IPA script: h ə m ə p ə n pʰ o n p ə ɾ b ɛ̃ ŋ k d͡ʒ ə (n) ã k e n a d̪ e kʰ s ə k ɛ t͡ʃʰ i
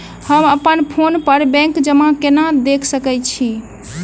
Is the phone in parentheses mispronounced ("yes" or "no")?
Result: yes